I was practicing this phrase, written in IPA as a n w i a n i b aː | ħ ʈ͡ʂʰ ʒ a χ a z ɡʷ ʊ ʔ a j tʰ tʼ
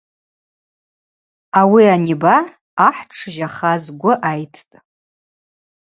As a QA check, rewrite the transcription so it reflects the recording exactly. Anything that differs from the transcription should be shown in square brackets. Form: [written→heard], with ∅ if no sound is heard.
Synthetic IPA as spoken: a [n→∅] w i a n i b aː | ħ ʈ͡ʂʰ ʒ a χ a z ɡʷ ʊ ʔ a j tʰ tʼ